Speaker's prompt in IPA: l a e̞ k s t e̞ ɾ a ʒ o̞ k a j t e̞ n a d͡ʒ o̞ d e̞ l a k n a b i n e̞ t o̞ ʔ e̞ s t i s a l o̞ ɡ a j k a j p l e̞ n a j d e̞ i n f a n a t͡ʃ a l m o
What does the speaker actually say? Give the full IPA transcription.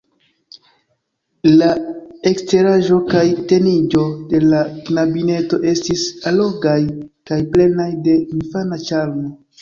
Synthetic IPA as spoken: l a e̞ k s t e̞ ɾ a ʒ o̞ k a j t e̞ n i d͡ʒ o̞ d e̞ l a k n a b i n e̞ t o̞ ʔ e̞ s t i s a l o̞ ɡ a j k a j p l e̞ n a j d e̞ i n f a n a t͡ʃ a l m o